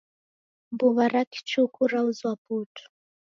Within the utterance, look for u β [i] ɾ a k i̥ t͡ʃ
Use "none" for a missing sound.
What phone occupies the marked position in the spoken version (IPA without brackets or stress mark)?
a